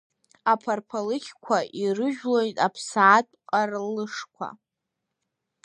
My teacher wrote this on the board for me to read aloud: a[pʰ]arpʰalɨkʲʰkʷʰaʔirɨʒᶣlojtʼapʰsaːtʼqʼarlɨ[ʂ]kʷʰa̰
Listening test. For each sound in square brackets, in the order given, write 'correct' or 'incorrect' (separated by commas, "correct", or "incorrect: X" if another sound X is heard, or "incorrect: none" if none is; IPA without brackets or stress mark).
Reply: correct, correct